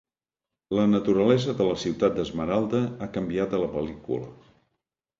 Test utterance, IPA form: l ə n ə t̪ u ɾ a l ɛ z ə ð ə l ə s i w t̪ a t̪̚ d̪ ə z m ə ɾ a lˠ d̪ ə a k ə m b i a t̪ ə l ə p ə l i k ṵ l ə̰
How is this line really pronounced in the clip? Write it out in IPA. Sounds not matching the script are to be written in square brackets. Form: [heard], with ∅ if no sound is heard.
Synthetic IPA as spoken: l ə n ə t̪ u ɾ [ə] l ɛ z ə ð ə l ə s i w t̪ a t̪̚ d̪ ə z m ə ɾ a lˠ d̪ ə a k ə m b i a t̪ ə l ə p ə l i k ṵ l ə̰